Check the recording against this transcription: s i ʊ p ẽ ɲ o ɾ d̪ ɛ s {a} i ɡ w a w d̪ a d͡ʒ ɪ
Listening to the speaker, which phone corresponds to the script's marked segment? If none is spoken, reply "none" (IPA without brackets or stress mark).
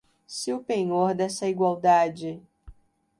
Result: ɐ